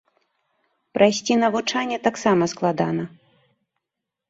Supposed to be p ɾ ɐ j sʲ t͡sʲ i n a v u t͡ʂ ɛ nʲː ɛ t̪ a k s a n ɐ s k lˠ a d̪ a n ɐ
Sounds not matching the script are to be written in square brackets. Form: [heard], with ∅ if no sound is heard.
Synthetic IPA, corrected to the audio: p ɾ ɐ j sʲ t͡sʲ i n [ɐ] v u t͡ʂ [a] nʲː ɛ t̪ a k s a [m] ɐ s k lˠ a d̪ a n ɐ